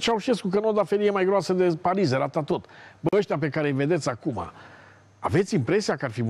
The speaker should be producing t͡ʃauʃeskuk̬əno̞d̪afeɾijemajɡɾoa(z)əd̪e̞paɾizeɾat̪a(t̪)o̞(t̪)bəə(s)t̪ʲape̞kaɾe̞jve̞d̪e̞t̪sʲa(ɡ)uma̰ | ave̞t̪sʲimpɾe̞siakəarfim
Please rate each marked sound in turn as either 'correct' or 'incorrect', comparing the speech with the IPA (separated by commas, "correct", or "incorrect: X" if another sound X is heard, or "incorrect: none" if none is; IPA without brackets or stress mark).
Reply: incorrect: s, correct, correct, incorrect: ʃ, incorrect: k